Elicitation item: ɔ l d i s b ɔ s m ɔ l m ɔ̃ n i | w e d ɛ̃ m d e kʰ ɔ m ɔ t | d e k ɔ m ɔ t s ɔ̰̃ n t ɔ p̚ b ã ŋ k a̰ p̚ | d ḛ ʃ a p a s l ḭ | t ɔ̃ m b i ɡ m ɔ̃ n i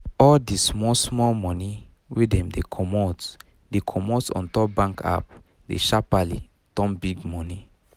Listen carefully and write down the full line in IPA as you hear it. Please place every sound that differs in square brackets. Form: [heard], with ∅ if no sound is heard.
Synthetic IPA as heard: ɔ l d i s [m] ɔ s m ɔ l m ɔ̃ n i | w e d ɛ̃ m d e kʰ ɔ m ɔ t | d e [kʰ] ɔ m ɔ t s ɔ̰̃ n t ɔ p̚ b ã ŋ k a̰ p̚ | d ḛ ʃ a p a [∅] l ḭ | t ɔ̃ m b i ɡ m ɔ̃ n i